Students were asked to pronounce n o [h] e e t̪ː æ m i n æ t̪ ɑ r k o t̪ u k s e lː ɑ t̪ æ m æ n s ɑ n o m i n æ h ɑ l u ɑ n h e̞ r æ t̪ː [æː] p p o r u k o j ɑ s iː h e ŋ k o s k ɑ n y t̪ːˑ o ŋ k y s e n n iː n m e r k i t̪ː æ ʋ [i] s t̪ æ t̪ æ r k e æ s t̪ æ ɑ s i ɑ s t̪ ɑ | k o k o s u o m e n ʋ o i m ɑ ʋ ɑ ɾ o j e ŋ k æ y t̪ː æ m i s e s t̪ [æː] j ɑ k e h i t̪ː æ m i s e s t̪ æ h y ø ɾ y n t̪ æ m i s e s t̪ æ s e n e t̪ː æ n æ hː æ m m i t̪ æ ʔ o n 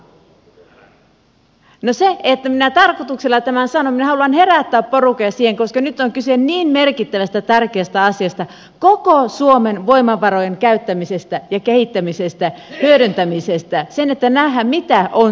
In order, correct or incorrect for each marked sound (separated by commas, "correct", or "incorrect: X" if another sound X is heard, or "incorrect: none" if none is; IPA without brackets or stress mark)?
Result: incorrect: s, correct, incorrect: æ, incorrect: æ